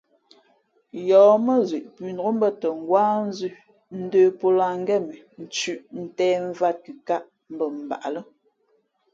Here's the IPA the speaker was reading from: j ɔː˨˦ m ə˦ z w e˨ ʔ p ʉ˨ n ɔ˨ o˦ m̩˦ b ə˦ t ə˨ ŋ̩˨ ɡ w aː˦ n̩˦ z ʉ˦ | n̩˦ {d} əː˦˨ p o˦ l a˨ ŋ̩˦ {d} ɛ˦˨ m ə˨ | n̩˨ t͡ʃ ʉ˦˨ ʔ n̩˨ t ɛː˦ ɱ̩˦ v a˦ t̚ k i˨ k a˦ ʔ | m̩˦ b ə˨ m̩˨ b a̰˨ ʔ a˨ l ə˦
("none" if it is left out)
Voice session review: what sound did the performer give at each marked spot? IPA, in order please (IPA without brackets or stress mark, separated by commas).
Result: d, ɡ